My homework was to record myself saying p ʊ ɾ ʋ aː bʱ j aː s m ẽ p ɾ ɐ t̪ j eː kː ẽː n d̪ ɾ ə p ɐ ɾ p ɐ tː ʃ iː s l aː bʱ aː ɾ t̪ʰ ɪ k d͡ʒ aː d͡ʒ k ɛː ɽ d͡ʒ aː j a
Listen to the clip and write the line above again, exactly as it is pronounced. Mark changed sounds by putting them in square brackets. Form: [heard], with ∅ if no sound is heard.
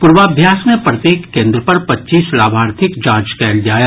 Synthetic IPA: p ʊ ɾ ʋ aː bʱ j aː s m ẽ p ɾ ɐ t̪ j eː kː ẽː n d̪ ɾ ə p ɐ ɾ p ɐ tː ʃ iː s l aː bʱ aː ɾ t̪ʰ ɪ k d͡ʒ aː d͡ʒ k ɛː [l] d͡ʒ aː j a